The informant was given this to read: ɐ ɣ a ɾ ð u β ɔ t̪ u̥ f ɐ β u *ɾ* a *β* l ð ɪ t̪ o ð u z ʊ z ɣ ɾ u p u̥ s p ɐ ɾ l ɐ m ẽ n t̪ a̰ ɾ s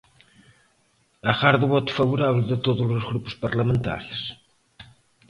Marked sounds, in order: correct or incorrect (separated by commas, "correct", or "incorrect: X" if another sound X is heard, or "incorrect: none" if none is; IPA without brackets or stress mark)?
correct, correct